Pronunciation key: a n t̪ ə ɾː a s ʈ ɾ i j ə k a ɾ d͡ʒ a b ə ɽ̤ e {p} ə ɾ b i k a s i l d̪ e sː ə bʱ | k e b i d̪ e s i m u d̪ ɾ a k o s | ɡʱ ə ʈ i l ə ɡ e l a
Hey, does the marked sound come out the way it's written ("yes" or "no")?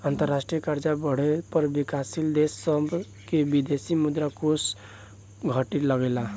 yes